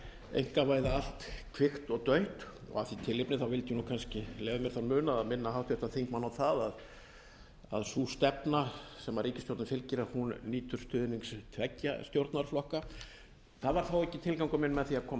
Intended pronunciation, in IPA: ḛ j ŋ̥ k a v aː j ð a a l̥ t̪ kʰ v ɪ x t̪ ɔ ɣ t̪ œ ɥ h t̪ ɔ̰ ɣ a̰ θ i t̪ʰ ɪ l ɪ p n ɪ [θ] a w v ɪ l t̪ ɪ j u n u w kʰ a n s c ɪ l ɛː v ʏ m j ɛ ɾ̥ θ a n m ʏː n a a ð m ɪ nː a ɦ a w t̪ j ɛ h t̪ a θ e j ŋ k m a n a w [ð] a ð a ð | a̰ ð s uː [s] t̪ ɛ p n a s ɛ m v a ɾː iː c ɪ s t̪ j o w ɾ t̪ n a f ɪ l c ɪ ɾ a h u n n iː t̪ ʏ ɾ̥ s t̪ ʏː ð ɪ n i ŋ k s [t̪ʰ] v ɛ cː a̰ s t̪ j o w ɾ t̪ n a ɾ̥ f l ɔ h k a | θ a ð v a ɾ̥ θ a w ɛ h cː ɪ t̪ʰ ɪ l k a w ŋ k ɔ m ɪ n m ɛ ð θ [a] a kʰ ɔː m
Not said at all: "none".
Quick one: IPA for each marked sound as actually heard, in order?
θ, θ, s, t̪ʰ, i

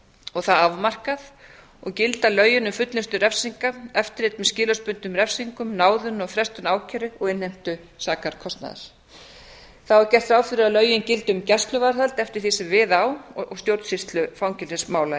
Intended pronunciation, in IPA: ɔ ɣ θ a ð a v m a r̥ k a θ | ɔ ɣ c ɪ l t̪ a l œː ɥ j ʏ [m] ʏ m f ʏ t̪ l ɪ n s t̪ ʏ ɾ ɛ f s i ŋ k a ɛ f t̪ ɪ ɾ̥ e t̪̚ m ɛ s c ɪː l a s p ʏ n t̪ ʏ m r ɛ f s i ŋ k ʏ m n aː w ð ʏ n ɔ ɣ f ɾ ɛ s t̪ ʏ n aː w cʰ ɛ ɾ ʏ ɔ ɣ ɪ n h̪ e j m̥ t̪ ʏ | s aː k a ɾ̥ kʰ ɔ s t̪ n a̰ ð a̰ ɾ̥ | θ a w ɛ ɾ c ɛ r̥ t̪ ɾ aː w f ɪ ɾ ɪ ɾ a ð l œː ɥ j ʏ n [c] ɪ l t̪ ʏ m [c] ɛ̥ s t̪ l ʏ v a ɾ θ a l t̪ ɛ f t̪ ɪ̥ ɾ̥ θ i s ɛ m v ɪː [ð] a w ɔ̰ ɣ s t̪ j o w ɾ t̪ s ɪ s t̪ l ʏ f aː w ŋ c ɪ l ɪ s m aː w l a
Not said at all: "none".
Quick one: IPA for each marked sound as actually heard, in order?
n, c, c, ð

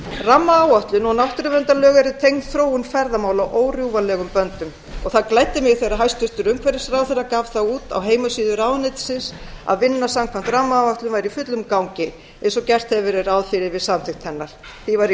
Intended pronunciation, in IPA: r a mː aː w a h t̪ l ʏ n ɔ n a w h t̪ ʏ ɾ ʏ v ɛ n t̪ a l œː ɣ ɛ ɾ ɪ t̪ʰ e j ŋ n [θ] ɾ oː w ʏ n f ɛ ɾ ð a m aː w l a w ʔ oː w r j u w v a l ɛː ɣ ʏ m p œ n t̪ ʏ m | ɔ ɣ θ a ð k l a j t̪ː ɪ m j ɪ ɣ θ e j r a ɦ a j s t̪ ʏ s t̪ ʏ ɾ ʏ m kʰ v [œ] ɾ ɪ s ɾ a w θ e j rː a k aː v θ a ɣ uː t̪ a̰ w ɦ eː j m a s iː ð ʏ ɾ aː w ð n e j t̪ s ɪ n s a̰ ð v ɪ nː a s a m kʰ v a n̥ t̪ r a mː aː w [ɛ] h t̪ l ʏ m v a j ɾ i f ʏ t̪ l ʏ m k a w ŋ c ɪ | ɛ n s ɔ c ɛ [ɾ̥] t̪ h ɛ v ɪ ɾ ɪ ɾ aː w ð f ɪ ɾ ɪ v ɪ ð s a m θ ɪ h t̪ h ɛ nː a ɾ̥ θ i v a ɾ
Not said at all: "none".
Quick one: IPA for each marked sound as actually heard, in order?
θ, ɛ, a, r̥

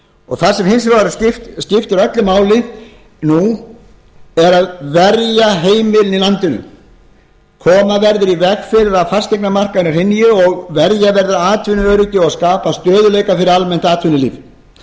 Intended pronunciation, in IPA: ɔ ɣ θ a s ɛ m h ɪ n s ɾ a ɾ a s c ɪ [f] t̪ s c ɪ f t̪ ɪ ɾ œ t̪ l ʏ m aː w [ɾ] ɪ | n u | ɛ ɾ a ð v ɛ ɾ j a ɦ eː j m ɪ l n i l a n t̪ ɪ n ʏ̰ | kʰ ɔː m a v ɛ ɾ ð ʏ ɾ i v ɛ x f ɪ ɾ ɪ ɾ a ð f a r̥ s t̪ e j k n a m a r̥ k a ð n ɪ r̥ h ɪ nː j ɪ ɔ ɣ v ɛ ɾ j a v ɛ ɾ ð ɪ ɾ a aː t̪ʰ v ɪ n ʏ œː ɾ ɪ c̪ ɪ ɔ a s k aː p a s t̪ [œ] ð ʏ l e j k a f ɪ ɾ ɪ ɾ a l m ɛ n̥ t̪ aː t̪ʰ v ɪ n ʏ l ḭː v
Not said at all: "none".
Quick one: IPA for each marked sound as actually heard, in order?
f, l, œː

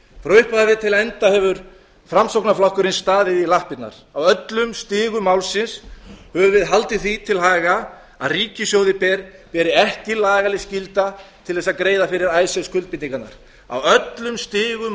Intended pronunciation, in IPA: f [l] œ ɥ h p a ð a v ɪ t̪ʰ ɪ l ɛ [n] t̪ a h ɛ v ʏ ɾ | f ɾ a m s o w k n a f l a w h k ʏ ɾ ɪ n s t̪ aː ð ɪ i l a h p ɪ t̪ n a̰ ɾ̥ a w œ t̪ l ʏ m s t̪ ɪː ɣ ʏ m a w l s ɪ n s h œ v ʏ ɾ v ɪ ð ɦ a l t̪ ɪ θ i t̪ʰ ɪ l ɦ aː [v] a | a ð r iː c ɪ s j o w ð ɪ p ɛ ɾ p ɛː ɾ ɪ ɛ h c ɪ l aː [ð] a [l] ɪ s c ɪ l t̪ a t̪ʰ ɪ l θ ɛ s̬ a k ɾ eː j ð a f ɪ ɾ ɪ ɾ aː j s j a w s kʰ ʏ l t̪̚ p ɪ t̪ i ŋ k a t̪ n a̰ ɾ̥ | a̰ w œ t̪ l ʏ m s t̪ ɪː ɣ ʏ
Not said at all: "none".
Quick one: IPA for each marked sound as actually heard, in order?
ɾ, n, ɣ, ɣ, l

